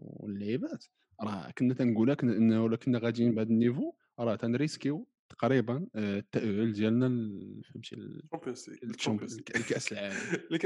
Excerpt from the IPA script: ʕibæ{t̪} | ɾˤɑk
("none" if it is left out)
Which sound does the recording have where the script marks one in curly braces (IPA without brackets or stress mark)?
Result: t̪